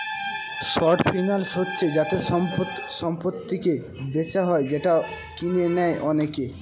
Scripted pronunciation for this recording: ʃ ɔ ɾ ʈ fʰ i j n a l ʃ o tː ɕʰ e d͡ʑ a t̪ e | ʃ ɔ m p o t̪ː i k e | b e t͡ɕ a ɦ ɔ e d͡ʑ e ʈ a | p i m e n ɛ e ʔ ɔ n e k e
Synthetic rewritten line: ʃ ɔ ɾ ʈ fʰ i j n a l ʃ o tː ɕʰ e d͡ʑ a t̪ e | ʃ ɔ m p o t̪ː i k e | b e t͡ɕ a ɦ ɔ e d͡ʑ e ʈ a | k i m e n ɛ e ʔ ɔ n e k e